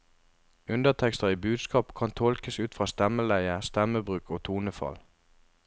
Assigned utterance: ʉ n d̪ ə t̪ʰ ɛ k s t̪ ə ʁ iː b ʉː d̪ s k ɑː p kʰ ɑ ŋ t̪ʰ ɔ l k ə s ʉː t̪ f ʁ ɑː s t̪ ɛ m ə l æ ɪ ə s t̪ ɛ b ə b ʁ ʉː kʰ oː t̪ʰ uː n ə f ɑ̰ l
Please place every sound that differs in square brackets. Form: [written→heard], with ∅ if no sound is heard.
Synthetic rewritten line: ʉ n d̪ ə t̪ʰ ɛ k s t̪ ə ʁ iː b ʉː d̪ s k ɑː p kʰ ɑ [ŋ→n] t̪ʰ ɔ l k ə s ʉː t̪ f ʁ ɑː s t̪ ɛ m ə l æ ɪ ə s t̪ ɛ [b→m] ə b ʁ ʉː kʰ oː t̪ʰ uː n ə f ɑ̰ l

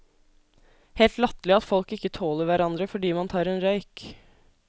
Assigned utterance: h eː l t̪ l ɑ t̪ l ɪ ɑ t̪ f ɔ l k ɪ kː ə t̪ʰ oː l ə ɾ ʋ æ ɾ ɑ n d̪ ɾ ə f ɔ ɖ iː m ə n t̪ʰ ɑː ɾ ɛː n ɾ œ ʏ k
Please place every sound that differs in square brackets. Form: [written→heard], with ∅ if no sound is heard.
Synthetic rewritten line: h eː l t̪ l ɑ t̪ l ɪ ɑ t̪ f ɔ l k ɪ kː ə t̪ʰ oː l ə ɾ ʋ æ ɾ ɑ n d̪ ɾ ə f ɔ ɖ iː m [ə→ɑ] n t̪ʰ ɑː ɾ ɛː n ɾ œ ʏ k

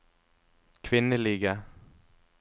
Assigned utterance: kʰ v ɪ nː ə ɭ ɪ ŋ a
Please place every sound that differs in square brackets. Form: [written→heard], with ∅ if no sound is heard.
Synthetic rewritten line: kʰ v ɪ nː ə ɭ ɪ [ŋ→ɡ] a

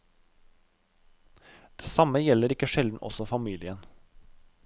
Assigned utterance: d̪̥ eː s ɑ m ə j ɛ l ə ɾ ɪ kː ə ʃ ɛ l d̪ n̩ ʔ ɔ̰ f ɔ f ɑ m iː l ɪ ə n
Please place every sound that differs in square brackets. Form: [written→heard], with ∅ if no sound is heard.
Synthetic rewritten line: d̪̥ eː s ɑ m ə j ɛ l ə ɾ ɪ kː ə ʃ ɛ l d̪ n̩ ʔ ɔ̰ [f→s] ɔ f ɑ m iː l ɪ ə n

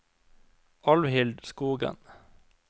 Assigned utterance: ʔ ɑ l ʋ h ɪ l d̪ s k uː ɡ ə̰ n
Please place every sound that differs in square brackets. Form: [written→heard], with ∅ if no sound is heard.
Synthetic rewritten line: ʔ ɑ l ʋ h ɪ l d̪ s k uː ɡ ə̰ n

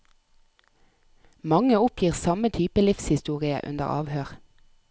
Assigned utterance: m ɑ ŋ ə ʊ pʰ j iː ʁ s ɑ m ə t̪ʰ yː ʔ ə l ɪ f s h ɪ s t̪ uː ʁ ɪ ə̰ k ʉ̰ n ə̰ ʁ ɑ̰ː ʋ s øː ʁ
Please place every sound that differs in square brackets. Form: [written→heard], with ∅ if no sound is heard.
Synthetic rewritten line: m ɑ ŋ ə ʊ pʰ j iː ʁ s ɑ m ə t̪ʰ yː [ʔ→p] ə l ɪ f s h ɪ s t̪ uː ʁ ɪ ə̰ [k→ʔ] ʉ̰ n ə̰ ʁ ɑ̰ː ʋ [s→h] øː ʁ

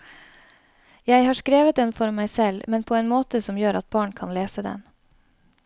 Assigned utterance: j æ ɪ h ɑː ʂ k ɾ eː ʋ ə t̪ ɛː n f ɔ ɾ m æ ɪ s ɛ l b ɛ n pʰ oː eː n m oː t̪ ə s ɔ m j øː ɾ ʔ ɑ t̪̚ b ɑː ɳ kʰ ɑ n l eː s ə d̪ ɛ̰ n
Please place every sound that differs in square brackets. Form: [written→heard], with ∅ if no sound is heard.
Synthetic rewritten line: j æ ɪ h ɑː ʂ k ɾ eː ʋ ə t̪ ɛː n f ɔ ɾ m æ ɪ s ɛ l [b→m] ɛ n pʰ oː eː n m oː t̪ ə s ɔ m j øː ɾ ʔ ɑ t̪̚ b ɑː ɳ kʰ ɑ n l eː s ə d̪ ɛ̰ n

